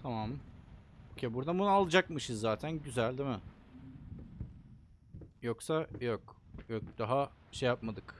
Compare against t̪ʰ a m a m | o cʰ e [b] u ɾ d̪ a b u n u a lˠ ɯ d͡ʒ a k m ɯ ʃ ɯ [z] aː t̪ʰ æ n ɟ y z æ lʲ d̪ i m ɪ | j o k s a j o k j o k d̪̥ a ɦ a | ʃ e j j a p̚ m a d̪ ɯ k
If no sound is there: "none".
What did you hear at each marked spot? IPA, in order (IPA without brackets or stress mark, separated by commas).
b, zː